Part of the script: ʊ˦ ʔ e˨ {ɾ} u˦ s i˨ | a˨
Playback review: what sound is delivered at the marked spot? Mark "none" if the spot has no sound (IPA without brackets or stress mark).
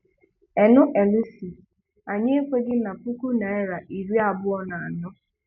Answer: l